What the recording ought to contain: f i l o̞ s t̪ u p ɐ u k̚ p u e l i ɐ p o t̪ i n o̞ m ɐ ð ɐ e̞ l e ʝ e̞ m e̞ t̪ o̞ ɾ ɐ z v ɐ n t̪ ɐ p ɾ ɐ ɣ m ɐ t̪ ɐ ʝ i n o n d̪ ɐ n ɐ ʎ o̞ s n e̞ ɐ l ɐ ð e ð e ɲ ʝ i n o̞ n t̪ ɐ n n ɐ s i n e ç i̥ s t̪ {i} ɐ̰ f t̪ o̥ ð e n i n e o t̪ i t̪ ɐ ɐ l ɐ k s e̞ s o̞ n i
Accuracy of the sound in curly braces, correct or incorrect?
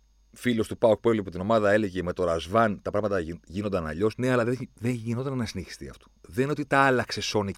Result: correct